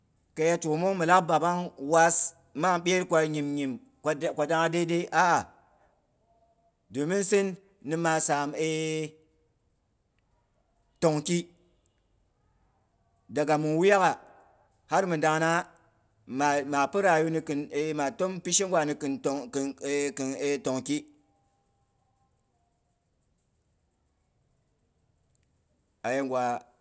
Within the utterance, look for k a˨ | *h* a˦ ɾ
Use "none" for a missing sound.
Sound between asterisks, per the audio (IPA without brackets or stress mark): h